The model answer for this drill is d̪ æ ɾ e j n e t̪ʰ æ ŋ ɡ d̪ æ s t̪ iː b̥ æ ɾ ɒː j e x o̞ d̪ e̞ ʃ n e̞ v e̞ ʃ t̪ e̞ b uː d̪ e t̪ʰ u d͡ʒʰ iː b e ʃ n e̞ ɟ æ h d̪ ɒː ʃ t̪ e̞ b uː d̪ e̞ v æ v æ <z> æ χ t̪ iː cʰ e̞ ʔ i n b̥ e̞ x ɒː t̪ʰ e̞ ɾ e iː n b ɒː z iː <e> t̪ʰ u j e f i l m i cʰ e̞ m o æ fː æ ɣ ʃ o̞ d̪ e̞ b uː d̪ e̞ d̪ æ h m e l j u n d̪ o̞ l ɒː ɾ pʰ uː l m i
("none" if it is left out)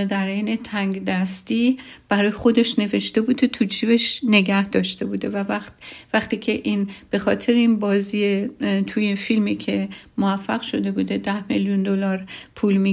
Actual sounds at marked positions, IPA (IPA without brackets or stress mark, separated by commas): v, e